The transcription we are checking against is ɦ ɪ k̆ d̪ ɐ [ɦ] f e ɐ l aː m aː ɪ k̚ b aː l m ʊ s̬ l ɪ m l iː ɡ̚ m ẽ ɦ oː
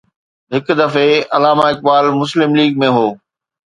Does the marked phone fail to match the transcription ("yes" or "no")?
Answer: yes